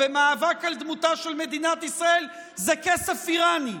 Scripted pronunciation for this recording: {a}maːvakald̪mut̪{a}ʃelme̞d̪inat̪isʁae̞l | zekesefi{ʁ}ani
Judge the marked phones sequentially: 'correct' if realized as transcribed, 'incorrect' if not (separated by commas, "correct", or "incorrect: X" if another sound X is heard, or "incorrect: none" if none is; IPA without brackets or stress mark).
incorrect: e, correct, correct